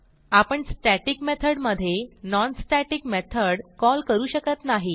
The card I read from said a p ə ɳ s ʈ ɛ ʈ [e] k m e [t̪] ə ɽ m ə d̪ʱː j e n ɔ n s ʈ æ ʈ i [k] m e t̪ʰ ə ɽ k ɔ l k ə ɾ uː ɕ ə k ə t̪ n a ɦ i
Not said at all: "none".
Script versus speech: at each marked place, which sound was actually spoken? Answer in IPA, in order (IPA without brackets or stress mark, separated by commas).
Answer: i, t̪ʰ, k